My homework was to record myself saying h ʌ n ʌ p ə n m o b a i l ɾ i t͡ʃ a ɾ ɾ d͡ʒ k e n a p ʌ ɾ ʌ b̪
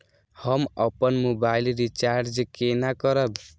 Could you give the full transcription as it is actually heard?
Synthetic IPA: h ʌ m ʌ p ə n m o b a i l ɾ i t͡ʃ a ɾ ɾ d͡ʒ k e n a k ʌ ɾ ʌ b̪